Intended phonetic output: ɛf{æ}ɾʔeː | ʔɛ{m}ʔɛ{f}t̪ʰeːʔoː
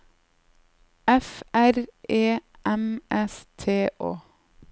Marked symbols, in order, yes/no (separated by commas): yes, yes, no